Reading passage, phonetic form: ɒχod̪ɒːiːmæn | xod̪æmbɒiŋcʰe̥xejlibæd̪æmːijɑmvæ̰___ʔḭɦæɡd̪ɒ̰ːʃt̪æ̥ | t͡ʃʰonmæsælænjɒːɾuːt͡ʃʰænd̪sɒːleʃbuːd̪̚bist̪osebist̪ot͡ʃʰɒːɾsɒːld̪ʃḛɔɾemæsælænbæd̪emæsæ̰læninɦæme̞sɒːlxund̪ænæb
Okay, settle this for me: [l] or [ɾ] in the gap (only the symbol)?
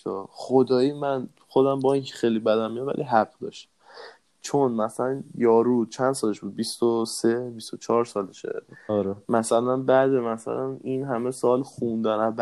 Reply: l